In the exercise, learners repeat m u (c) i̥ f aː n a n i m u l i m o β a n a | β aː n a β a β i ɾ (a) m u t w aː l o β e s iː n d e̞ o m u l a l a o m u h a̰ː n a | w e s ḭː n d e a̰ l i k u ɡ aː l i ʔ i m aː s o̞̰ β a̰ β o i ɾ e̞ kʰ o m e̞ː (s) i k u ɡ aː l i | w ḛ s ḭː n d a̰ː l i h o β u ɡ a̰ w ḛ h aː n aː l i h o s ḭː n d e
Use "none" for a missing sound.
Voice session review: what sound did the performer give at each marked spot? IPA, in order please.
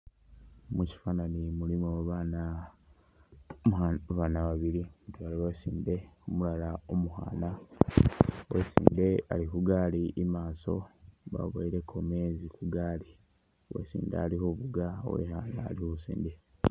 c, i, z

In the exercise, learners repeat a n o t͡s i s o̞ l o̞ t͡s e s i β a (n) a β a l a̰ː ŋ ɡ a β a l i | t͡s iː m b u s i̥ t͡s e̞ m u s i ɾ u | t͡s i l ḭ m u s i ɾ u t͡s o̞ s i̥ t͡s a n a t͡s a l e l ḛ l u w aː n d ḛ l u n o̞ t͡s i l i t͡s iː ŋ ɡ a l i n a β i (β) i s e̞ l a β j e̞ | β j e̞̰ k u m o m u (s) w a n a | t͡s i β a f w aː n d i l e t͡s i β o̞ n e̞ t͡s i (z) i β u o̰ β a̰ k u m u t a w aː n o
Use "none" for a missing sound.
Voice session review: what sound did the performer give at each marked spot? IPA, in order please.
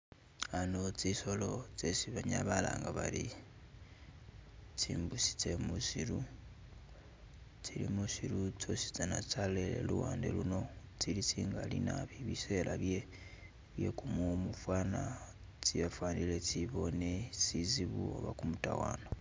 ɲ, β, f, z

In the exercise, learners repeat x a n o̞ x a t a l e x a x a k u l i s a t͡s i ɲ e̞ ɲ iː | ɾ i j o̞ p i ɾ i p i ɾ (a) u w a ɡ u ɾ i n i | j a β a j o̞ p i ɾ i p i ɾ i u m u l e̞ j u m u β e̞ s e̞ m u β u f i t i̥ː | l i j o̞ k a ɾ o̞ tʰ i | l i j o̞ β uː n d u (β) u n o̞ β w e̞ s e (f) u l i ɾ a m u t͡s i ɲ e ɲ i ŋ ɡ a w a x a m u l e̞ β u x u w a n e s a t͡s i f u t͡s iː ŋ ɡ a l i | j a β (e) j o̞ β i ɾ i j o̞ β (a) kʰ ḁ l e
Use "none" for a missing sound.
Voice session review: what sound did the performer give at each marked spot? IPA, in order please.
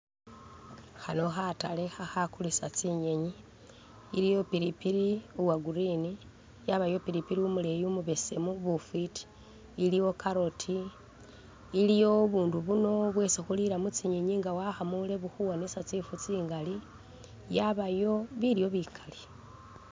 i, β, x, a, i

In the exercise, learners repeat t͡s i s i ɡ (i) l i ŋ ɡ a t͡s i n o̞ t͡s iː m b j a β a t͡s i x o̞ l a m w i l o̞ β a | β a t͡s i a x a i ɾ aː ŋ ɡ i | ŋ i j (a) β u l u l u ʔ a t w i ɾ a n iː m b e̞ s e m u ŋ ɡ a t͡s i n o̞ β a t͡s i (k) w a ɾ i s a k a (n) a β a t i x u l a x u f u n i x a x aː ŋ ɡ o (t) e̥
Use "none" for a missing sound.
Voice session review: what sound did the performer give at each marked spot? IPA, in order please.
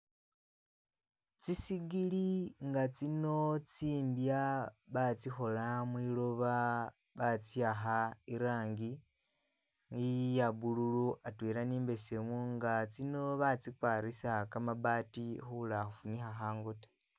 i, a, k, m, t

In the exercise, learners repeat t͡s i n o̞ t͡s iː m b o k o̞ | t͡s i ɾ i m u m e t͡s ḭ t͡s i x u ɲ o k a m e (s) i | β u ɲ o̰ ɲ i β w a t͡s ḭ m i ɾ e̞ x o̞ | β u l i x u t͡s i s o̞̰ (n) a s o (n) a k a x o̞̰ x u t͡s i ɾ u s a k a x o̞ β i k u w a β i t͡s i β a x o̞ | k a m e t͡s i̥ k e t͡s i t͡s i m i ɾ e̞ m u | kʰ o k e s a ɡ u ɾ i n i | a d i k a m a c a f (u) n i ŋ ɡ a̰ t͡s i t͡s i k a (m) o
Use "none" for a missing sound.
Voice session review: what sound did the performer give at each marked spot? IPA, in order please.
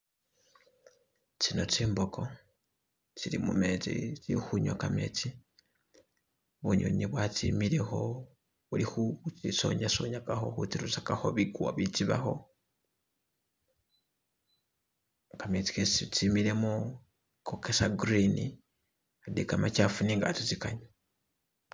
t͡s, ɲ, ɲ, u, ɲ

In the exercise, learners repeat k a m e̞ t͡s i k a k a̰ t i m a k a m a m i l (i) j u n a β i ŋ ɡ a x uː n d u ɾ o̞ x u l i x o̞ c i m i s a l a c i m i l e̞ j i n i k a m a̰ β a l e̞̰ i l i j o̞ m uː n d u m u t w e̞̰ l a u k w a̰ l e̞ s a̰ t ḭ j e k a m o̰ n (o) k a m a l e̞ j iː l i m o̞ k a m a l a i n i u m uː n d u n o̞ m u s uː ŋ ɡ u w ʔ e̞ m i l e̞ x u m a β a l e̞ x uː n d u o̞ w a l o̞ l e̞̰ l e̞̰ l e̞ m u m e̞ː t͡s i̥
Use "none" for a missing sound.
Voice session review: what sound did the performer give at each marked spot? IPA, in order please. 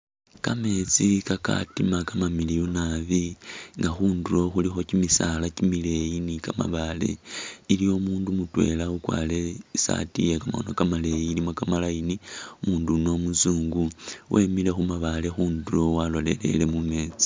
i, o

